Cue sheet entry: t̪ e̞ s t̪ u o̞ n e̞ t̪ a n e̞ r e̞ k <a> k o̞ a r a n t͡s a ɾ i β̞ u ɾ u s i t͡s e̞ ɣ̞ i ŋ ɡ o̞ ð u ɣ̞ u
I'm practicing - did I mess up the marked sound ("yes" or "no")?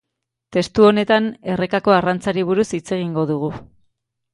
no